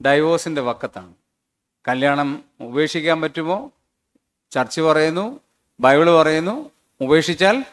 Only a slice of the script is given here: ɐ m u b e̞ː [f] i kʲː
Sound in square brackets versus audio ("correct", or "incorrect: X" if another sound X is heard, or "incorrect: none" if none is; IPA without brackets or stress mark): incorrect: ʂ